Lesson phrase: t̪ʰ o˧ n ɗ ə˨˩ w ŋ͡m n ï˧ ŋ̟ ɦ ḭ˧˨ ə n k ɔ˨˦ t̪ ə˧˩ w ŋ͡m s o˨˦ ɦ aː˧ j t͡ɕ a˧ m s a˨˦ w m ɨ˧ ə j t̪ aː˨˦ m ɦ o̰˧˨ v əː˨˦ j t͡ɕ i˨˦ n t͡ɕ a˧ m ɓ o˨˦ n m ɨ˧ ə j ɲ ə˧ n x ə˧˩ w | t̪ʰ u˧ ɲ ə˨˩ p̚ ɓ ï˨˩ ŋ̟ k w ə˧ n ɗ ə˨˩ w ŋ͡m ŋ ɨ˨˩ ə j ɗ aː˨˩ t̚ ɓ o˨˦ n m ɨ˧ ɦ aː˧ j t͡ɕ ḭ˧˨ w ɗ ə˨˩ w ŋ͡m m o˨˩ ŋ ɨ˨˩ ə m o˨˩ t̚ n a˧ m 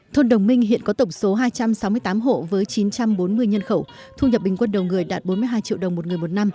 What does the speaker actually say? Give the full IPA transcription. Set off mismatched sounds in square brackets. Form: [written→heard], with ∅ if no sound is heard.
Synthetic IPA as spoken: t̪ʰ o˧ n ɗ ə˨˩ w ŋ͡m [n→m] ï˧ ŋ̟ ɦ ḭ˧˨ ə n k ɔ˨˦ t̪ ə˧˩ w ŋ͡m s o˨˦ ɦ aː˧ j t͡ɕ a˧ m s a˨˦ w m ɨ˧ ə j t̪ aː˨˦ m ɦ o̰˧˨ v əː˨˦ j t͡ɕ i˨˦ n t͡ɕ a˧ m ɓ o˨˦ n m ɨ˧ ə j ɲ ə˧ n x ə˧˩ w | t̪ʰ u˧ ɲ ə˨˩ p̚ ɓ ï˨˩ ŋ̟ k w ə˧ n ɗ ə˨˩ w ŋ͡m ŋ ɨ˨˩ ə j ɗ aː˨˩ t̚ ɓ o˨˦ n m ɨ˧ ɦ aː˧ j t͡ɕ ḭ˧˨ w ɗ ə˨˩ w ŋ͡m m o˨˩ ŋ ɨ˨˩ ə m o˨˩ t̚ n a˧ m